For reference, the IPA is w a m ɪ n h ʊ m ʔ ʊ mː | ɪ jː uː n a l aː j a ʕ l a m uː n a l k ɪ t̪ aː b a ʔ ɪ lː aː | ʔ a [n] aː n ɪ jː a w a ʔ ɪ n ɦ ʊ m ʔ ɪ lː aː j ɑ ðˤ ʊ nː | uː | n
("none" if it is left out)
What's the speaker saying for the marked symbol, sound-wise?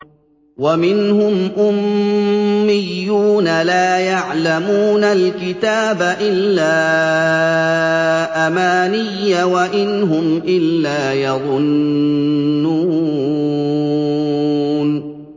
m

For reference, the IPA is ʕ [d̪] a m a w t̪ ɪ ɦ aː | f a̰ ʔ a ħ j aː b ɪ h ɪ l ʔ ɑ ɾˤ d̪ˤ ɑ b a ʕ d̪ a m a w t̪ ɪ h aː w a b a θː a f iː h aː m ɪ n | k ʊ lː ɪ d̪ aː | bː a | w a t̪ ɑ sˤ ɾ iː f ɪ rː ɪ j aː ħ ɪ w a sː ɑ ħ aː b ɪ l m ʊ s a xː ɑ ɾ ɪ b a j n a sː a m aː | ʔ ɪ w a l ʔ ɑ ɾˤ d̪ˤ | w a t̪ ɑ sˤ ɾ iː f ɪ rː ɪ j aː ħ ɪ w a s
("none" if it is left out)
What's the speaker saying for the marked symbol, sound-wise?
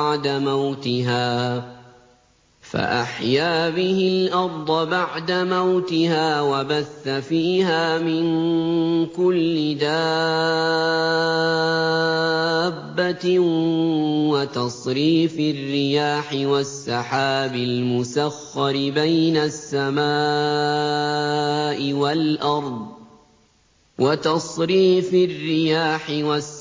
d̪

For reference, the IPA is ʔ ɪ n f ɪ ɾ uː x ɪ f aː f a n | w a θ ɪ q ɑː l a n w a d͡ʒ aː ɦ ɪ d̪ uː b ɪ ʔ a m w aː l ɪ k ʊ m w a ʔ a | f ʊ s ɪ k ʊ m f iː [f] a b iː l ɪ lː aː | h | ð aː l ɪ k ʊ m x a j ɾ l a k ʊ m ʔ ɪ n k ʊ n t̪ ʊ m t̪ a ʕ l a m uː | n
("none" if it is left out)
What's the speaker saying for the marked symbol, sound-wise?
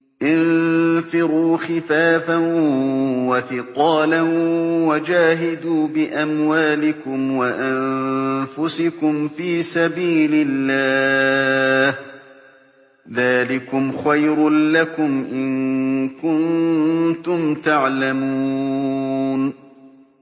s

